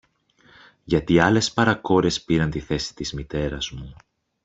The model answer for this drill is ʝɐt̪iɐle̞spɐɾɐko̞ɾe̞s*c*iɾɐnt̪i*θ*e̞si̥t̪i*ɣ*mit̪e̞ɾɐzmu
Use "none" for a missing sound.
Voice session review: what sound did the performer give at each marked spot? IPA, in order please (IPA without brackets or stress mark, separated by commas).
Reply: p, θ, z